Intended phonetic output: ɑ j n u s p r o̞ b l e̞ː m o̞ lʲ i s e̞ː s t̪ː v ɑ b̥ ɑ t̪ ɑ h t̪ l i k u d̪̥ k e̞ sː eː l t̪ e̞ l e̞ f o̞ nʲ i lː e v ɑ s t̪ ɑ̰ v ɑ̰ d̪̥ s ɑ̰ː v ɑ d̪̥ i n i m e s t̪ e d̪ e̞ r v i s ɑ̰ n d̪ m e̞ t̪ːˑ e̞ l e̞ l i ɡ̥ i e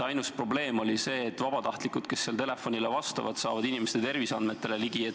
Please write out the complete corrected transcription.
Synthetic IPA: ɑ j n u s p r o̞ b l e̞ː m o̞ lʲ i s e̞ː t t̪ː v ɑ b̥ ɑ t̪ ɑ h t̪ l i k u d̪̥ k e̞ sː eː l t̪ e̞ l e̞ f o̞ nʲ i l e v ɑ s t̪ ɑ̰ v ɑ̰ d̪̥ s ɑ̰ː v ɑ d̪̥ i n i m e s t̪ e t̪ e̞ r v i s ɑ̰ n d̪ m e̞ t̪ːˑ e̞ l e̞ l i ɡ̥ i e